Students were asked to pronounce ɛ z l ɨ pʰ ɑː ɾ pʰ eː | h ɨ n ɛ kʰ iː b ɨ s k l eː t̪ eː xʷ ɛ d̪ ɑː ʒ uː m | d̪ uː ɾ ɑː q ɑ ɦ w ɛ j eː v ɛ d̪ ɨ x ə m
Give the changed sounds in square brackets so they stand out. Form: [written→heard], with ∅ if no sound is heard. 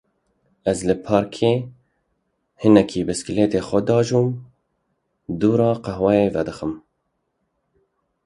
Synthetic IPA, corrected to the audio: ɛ z l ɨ pʰ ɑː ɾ [pʰ→kʰ] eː | h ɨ n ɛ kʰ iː b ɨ s k l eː t̪ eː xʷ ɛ d̪ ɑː ʒ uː m | d̪ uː ɾ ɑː q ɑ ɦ w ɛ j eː v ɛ d̪ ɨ x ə m

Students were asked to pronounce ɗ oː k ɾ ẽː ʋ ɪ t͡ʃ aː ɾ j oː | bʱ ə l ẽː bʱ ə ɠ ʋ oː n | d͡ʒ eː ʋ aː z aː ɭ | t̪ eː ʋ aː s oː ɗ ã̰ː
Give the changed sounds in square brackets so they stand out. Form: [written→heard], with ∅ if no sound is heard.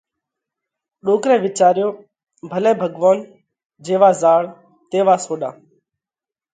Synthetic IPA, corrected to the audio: ɗ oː k ɾ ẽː ʋ ɪ t͡ʃ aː ɾ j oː | bʱ ə l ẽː bʱ ə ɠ ʋ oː n | d͡ʒ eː ʋ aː z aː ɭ | t̪ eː ʋ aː s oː ɗ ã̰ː

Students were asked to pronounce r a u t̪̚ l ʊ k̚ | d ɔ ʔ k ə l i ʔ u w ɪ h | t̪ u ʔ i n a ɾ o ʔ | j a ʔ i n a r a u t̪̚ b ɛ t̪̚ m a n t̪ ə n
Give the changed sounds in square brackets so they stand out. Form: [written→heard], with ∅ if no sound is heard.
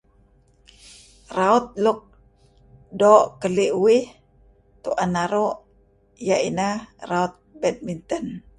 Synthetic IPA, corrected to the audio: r a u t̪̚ l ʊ k̚ | d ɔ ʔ k ə l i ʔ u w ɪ h | t̪ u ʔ [i→a] n a ɾ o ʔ | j a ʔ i n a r a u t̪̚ b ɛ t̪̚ m [a→i] n t̪ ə n

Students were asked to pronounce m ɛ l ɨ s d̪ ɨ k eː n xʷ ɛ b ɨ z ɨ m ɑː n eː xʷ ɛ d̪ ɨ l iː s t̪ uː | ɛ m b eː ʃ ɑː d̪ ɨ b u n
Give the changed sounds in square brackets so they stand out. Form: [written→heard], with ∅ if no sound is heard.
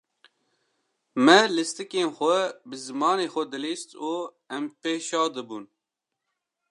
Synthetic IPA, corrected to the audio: m ɛ l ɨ s [d̪→t̪] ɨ k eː n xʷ ɛ b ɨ z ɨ m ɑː n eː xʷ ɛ d̪ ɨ l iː s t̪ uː | ɛ m [b→p] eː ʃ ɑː d̪ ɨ b u n

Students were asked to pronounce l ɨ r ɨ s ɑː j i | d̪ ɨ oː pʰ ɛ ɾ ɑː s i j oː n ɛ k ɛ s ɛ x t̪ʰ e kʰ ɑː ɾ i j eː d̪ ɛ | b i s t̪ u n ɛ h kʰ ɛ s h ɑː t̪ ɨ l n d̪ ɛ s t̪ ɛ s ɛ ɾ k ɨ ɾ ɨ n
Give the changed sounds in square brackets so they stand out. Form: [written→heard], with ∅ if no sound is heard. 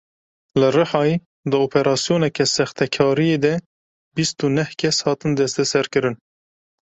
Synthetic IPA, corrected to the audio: l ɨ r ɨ [s→ħ] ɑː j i | d̪ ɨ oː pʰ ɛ ɾ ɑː s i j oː n ɛ k ɛ s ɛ x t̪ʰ [e→ɛ] kʰ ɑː ɾ i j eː d̪ ɛ | b i s t̪ u n ɛ h kʰ ɛ s h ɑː t̪ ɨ [l→∅] n d̪ ɛ s t̪ ɛ s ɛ ɾ k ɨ ɾ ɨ n

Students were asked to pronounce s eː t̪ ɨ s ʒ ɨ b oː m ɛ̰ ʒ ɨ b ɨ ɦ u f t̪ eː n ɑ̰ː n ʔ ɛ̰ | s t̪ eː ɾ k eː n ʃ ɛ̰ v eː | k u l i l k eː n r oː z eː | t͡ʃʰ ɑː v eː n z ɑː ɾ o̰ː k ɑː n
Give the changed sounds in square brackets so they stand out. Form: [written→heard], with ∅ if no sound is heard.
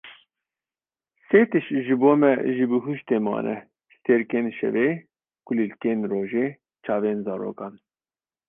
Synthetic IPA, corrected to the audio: s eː t̪ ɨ [s→ʃ] ʒ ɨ b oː m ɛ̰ ʒ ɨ b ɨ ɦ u [f→ʃ] t̪ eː [n→m] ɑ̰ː n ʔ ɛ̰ | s t̪ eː ɾ k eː n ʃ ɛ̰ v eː | k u l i l k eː n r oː [z→ʒ] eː | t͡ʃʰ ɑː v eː n z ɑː ɾ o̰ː k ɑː n

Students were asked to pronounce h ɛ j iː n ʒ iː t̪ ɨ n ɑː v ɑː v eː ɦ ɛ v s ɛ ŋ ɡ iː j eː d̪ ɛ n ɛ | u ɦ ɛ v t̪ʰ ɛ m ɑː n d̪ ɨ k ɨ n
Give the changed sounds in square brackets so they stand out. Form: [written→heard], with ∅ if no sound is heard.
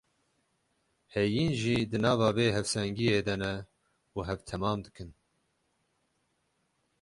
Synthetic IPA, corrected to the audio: h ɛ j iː n ʒ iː [t̪→d̪] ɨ n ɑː v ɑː v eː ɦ ɛ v s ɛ ŋ ɡ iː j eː d̪ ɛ n ɛ | u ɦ ɛ v t̪ʰ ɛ m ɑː [n→m] d̪ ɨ k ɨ n

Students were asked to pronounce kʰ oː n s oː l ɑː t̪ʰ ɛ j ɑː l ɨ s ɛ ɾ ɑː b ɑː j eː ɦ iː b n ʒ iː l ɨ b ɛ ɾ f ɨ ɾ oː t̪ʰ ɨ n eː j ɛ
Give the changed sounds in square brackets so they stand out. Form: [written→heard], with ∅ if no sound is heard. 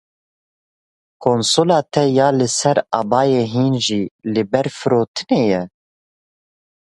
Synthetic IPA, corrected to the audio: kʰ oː n s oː l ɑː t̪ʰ ɛ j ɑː l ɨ s ɛ ɾ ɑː b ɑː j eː ɦ iː [b→∅] n ʒ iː l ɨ b ɛ ɾ f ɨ ɾ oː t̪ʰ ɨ n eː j ɛ

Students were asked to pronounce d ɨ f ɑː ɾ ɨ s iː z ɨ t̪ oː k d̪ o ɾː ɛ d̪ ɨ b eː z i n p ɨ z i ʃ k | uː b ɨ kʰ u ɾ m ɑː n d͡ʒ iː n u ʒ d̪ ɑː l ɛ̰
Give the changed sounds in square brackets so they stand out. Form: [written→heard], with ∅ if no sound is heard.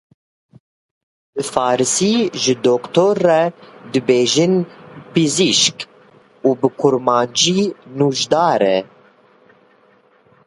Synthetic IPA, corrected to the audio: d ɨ f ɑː ɾ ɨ s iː [z→ʒ] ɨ [t̪→d̪] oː k [d̪→t̪] o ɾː ɛ d̪ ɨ b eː [z→ʒ] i n p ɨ z i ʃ k | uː b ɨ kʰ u ɾ m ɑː n d͡ʒ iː n u ʒ d̪ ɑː [l→ɾ] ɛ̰

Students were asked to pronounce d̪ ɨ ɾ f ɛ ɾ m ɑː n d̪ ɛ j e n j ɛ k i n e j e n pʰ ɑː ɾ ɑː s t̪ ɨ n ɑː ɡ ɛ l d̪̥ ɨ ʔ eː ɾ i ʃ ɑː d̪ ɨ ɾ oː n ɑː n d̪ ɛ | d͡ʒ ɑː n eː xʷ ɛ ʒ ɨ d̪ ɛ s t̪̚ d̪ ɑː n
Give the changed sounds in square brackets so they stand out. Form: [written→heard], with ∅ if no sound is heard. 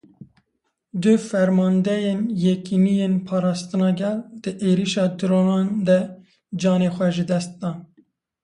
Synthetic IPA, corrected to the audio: d̪ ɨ [ɾ→∅] f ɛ ɾ m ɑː n d̪ ɛ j e n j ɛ k i n [e→i] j e n pʰ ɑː ɾ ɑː s t̪ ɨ n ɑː ɡ ɛ l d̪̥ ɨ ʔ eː ɾ i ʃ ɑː d̪ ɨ ɾ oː n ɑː n d̪ ɛ | d͡ʒ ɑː n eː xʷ ɛ ʒ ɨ d̪ ɛ s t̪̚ d̪ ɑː n

